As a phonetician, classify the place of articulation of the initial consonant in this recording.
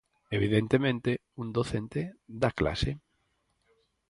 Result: labial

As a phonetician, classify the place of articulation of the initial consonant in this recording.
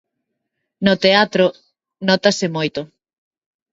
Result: alveolar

